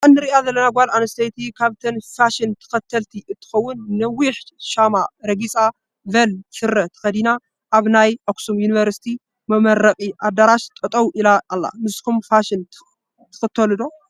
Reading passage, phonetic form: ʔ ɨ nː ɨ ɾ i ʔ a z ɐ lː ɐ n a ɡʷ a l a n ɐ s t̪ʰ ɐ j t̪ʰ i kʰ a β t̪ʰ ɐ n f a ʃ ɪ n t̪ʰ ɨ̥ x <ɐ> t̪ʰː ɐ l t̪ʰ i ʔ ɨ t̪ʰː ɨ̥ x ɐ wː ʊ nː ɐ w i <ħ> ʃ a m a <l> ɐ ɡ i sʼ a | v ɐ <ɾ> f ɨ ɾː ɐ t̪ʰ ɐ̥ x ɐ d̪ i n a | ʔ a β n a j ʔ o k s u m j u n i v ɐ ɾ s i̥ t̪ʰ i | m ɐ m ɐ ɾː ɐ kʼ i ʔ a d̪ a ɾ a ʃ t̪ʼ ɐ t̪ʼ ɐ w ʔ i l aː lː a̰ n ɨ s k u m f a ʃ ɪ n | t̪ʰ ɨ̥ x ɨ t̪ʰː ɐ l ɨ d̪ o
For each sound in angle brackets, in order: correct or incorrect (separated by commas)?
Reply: correct, correct, incorrect, incorrect